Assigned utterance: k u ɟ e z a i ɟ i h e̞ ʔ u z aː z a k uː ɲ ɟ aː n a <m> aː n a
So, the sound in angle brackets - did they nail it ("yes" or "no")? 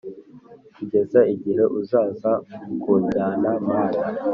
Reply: yes